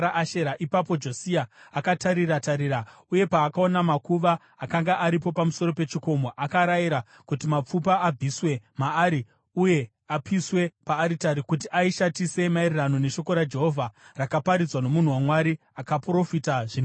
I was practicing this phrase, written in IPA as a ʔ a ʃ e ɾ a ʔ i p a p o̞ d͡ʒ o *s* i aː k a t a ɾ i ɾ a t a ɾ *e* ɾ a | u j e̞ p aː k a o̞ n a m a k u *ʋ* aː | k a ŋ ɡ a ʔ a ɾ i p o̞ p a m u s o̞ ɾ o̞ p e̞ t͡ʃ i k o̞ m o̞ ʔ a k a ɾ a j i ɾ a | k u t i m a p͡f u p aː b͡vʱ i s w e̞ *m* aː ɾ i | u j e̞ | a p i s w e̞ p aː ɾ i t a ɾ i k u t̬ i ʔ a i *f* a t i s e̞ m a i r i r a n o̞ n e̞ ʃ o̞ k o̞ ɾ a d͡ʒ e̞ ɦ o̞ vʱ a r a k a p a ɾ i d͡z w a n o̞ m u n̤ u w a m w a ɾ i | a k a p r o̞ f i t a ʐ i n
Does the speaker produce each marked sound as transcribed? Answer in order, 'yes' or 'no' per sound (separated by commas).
yes, no, yes, yes, no